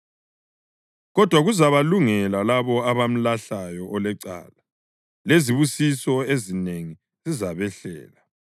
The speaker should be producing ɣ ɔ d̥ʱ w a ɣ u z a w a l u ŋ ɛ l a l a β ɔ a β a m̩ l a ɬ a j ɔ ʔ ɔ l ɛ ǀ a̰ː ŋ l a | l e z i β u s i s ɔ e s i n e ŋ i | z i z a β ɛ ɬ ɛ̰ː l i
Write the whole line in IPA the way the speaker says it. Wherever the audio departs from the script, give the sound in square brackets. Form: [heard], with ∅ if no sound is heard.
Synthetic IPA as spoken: ɣ ɔ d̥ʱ w a ɣ u z a [β] a l u ŋ ɛ l a l a β ɔ a β a m̩ l a ɬ a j ɔ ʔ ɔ l ɛ ǀ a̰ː [∅] l a | l e z i β u s i s ɔ e [z] i n e ŋ i | z i z a β ɛ ɬ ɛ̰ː l [a]